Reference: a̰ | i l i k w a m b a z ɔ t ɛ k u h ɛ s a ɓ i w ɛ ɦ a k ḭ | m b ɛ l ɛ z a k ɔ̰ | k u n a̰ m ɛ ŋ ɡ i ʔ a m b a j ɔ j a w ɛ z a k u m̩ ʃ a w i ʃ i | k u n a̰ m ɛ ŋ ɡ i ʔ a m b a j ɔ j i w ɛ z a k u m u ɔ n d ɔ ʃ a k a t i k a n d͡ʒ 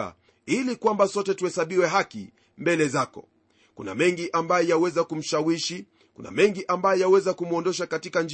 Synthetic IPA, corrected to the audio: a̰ | i l i k w a m b a s ɔ t ɛ t u h ɛ s a ɓ i w ɛ ɦ a k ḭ | m b ɛ l ɛ z a k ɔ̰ | k u n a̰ m ɛ ŋ ɡ i ʔ a m b a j ɔ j a w ɛ z a k u m̩ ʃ a w i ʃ i | k u n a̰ m ɛ ŋ ɡ i ʔ a m b a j ɔ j a w ɛ z a k u m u ɔ n d ɔ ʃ a k a t i k a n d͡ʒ